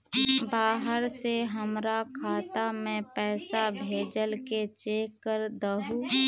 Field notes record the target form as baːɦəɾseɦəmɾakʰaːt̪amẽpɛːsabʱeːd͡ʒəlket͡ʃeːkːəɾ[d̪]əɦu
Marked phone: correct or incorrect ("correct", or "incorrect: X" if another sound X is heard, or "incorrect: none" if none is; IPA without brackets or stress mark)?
correct